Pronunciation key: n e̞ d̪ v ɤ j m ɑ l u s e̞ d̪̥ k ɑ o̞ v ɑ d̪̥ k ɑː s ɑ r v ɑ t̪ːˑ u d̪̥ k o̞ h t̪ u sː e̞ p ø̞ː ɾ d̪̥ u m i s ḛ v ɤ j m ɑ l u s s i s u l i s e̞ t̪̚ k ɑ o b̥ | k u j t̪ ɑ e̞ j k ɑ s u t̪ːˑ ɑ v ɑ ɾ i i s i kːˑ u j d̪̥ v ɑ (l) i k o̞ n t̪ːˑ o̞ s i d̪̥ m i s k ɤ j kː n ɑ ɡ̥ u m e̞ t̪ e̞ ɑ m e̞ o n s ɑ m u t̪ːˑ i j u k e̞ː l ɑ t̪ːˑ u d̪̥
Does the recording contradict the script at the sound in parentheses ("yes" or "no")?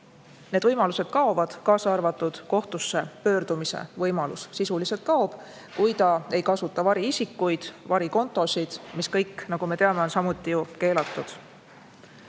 yes